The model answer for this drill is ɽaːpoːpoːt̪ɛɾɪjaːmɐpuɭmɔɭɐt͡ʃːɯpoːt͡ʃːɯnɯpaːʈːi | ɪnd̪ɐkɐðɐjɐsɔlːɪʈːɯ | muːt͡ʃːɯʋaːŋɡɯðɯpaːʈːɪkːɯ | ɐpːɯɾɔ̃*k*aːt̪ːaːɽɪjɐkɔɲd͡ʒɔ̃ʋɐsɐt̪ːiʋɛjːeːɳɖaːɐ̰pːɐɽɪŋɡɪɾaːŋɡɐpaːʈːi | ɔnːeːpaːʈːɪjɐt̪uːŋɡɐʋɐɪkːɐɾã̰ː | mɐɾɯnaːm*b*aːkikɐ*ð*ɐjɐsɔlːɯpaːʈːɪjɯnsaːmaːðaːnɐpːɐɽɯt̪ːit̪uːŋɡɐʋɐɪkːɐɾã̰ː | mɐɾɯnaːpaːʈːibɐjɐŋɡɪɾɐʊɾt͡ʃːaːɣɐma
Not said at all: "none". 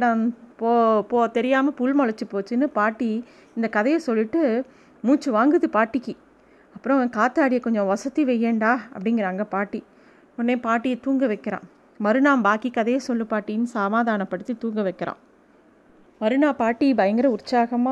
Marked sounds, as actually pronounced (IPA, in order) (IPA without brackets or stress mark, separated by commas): k, b, ð